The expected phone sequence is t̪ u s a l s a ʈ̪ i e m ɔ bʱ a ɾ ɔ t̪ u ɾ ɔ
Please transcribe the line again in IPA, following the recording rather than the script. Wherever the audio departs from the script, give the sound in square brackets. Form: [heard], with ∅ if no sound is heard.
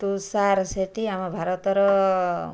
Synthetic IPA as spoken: t̪ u s a [ɾ] s [e] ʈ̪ i [a] m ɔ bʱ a ɾ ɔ t̪ [ɔ] ɾ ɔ